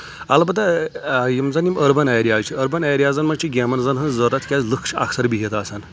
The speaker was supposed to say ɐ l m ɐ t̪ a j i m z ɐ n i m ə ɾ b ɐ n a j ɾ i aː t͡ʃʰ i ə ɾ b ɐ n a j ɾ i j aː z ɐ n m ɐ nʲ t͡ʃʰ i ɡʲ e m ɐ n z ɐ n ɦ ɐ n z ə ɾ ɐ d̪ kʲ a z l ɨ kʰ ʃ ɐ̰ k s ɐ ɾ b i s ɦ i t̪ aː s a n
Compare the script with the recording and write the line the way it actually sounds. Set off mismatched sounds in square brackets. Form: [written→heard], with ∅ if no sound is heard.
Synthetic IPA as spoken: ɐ l [m→b] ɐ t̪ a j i m z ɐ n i m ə ɾ b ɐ n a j ɾ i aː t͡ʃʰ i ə ɾ b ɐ n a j ɾ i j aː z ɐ n m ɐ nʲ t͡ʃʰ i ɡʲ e m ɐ n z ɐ n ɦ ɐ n z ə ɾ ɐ [d̪→t̪] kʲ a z l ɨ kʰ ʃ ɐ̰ k s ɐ ɾ b i [s→∅] ɦ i t̪ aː s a n

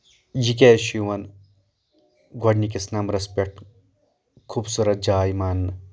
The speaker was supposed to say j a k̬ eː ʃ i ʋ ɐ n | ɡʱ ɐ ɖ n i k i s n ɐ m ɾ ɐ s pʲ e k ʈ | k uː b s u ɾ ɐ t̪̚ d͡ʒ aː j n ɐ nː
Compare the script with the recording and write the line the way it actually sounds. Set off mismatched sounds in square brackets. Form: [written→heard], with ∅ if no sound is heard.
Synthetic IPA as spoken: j [a→i] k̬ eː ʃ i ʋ ɐ n | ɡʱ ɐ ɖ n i k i s n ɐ m ɾ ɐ s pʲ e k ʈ | [k→kʰ] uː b s u ɾ ɐ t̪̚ d͡ʒ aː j [n→m] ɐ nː

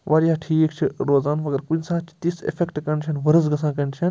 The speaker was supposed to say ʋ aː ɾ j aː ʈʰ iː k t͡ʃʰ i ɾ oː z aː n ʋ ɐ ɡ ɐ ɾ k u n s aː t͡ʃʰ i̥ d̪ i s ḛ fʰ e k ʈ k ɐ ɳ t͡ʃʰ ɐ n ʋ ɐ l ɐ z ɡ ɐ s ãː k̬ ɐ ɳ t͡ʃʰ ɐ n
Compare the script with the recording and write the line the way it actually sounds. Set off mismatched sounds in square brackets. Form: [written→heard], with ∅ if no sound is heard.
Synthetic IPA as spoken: ʋ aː ɾ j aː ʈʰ iː k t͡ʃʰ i ɾ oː z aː n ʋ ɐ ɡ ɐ ɾ k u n s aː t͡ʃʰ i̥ [d̪→t̪] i s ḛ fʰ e k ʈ k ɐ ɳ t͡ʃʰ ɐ n ʋ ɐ [l→ɾ] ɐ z ɡ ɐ s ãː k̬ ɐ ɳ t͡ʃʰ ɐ n

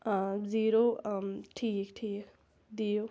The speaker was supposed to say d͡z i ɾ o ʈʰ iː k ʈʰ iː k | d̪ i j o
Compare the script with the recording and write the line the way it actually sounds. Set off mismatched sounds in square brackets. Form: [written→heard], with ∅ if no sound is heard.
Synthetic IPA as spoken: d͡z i ɾ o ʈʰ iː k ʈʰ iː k | d̪ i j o

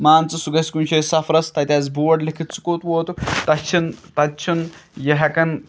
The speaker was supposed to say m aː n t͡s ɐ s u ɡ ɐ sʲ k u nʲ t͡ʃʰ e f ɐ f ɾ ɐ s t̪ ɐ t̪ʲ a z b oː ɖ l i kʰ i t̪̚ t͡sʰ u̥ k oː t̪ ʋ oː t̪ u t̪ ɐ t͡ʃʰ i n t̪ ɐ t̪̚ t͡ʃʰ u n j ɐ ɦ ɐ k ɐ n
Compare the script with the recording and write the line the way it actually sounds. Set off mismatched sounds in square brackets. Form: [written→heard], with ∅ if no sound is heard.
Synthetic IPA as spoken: m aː n t͡s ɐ s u ɡ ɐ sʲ k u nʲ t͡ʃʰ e [f→s] ɐ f ɾ ɐ s t̪ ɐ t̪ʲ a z b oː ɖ l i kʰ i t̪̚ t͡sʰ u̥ k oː t̪ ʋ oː t̪ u t̪ ɐ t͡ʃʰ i n t̪ ɐ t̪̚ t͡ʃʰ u n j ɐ ɦ ɐ k ɐ n

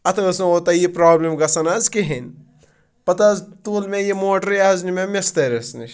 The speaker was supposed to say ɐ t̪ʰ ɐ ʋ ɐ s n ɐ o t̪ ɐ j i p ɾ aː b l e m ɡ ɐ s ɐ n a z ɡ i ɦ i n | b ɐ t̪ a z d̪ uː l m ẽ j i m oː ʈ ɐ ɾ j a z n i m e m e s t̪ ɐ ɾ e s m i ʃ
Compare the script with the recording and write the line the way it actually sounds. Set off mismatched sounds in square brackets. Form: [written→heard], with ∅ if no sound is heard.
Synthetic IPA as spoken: ɐ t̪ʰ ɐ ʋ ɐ s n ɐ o t̪ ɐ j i p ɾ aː b l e m ɡ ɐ s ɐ n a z [ɡ→k] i ɦ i n | [b→p] ɐ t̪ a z [d̪→t̪] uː l m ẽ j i m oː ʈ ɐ ɾ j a z n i m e m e s t̪ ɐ ɾ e s [m→n] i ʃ

